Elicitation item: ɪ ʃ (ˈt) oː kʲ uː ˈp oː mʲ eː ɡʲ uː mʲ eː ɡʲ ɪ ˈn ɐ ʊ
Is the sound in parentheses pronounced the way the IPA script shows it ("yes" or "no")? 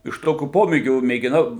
yes